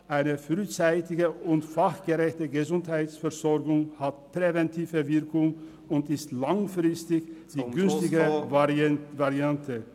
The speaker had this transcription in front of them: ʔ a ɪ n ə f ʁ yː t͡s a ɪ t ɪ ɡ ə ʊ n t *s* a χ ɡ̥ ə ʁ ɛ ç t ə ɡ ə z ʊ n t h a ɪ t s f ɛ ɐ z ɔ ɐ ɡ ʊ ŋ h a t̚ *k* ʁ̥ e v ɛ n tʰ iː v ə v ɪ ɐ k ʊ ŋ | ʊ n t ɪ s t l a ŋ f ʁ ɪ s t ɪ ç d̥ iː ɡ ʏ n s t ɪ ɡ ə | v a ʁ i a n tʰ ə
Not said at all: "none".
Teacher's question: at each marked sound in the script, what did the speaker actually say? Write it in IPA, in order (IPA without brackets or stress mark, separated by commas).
f, p